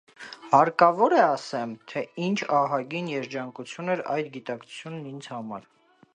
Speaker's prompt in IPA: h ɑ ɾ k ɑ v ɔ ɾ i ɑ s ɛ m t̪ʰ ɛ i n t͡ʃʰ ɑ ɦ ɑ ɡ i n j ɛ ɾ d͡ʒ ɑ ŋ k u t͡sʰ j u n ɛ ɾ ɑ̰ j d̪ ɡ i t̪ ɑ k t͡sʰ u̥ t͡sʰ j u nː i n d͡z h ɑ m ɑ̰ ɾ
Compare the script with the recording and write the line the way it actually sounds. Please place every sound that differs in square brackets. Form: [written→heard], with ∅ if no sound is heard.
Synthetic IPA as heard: h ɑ ɾ k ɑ v ɔ ɾ [i→ɛ] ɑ s ɛ m t̪ʰ ɛ i n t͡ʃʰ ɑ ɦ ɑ ɡ i n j ɛ ɾ d͡ʒ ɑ ŋ k u t͡sʰ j u n ɛ ɾ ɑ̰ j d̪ ɡ i t̪ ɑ k t͡sʰ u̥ t͡sʰ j u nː i n d͡z h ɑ m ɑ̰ ɾ

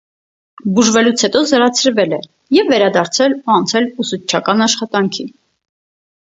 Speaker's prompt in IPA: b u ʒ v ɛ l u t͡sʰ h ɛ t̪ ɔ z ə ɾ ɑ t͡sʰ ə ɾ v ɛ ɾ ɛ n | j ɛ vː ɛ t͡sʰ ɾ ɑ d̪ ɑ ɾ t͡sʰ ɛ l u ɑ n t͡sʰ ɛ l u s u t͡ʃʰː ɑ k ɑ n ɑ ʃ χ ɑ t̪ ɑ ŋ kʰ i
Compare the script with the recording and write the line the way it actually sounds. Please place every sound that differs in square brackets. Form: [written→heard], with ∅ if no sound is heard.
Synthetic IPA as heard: b u ʒ v ɛ l u t͡sʰ h ɛ t̪ ɔ z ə ɾ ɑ t͡sʰ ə ɾ v ɛ [ɾ→l] ɛ [n→∅] | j ɛ vː ɛ [t͡sʰ→∅] ɾ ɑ d̪ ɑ ɾ t͡sʰ ɛ l u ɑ n t͡sʰ ɛ l u s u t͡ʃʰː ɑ k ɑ n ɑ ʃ χ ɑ t̪ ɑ ŋ kʰ i

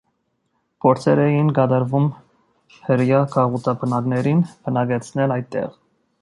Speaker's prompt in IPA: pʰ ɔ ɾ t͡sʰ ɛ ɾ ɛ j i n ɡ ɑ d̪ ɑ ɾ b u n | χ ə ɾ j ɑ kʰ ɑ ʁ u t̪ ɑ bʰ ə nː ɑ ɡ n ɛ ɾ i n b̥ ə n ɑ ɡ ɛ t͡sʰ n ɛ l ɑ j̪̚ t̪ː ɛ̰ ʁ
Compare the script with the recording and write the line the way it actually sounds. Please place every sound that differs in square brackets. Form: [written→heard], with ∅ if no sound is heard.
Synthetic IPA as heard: pʰ ɔ ɾ t͡sʰ ɛ ɾ ɛ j i n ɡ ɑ d̪ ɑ ɾ [b→v] u [n→m] | [χ→h] ə ɾ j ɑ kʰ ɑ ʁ u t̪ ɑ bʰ ə [nː→n] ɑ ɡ n ɛ ɾ i n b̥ ə n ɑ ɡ ɛ t͡sʰ n ɛ l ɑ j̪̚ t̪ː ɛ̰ ʁ

